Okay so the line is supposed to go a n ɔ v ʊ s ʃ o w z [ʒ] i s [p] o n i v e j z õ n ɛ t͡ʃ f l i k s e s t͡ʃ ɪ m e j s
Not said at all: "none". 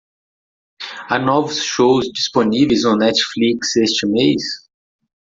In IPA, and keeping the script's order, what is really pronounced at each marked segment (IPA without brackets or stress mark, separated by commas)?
d͡ʒ, p